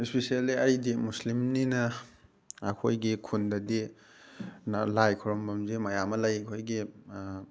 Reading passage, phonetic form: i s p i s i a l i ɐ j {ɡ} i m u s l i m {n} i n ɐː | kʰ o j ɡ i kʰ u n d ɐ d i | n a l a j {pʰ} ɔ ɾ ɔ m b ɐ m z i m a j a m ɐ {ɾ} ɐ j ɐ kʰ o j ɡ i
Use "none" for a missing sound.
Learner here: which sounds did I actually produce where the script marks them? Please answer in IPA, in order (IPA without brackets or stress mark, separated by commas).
d, n, kʰ, l